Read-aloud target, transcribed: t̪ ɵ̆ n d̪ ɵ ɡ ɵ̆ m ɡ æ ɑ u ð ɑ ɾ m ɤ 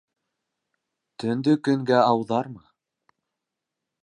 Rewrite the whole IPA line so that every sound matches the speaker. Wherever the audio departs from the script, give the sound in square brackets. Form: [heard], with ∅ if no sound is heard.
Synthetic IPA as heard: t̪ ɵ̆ n d̪ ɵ [k] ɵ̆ [ŋ] ɡ æ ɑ [w] ð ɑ ɾ m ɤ